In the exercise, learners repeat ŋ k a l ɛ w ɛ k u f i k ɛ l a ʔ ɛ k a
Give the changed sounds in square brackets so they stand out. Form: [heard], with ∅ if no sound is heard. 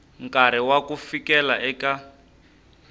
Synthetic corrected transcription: ŋ k a [ɾ] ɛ w [a] k u f i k ɛ l a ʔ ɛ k a